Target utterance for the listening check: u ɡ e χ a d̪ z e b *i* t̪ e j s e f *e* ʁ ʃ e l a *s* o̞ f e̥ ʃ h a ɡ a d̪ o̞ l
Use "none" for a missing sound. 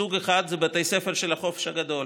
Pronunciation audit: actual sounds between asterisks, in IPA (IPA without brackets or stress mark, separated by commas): a, e, χ